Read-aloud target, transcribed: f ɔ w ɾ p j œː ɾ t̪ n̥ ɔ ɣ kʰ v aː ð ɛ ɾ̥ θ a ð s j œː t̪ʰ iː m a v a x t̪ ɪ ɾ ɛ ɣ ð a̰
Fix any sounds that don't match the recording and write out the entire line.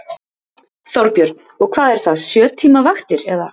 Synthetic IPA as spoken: θ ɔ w ɾ p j œ ɾ t̪ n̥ ɔ ɣ kʰ v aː ð ɛ ɾ̥ θ a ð s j œː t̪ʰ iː m a v a x t̪ ɪ ɾ ɛ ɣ ð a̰